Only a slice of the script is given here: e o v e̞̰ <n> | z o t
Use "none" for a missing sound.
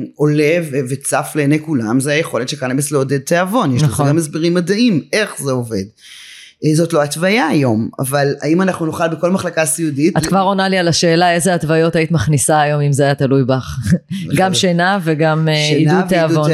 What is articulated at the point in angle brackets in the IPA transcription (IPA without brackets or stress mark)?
d